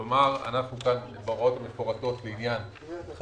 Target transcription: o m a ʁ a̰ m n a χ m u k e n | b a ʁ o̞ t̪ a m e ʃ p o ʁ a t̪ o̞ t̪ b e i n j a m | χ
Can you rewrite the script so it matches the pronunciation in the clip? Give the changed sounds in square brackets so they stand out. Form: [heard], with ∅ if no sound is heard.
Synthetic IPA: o m a ʁ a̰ [∅] n a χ [n] u k [a] n | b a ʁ o̞ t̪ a m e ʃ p o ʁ a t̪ o̞ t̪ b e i n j a [n] | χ